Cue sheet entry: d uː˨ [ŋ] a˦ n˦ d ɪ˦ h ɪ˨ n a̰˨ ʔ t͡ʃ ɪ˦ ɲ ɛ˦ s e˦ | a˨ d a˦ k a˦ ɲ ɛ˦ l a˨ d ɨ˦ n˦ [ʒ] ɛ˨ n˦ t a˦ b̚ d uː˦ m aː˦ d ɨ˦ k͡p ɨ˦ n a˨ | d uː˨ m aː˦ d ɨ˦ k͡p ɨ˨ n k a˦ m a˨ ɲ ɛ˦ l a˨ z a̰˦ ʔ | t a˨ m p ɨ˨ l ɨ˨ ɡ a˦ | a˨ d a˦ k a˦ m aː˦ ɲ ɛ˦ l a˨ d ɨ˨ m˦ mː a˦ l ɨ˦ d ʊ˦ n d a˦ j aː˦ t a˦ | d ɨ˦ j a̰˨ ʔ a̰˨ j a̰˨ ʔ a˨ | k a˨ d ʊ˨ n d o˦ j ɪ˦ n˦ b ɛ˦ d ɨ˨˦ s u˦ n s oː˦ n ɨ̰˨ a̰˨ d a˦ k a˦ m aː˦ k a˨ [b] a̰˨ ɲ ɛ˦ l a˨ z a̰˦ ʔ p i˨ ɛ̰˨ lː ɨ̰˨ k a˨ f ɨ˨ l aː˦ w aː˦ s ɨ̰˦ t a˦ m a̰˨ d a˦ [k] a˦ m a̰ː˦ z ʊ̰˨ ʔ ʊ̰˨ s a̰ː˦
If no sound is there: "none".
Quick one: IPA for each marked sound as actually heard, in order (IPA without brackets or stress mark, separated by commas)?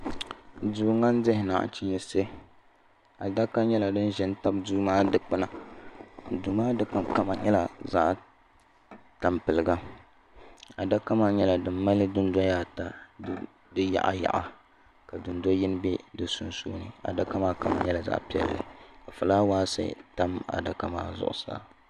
ŋ, ʒ, m, k